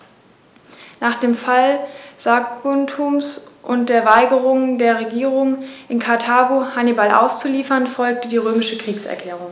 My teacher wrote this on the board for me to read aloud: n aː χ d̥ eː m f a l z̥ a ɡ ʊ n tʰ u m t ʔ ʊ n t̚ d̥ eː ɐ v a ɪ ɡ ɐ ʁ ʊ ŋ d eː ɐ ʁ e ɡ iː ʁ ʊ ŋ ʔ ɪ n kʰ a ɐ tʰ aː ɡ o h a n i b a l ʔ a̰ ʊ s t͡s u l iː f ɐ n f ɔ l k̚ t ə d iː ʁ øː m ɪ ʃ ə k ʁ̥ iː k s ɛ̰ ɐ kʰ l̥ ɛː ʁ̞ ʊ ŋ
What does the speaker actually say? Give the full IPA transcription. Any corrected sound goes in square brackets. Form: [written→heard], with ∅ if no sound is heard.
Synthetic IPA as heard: n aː χ d̥ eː m f a l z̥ a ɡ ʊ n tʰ u m [t→s] ʔ ʊ n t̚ d̥ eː ɐ v a ɪ ɡ [ɐ→ə] ʁ ʊ ŋ d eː ɐ ʁ e ɡ iː ʁ ʊ ŋ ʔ ɪ n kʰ a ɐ tʰ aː ɡ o h a n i b a l ʔ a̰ ʊ s t͡s u l iː f ɐ n f ɔ l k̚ t ə d iː ʁ øː m ɪ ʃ ə k ʁ̥ iː k s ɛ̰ ɐ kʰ l̥ ɛː ʁ̞ ʊ ŋ